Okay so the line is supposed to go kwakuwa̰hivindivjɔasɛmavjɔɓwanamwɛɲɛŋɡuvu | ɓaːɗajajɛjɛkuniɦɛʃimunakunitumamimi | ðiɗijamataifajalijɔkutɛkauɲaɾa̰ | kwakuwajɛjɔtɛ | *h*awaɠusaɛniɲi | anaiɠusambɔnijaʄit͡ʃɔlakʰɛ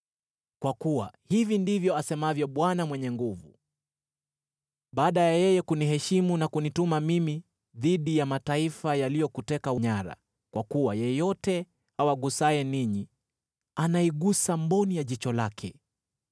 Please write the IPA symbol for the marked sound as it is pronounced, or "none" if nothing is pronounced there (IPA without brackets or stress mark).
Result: h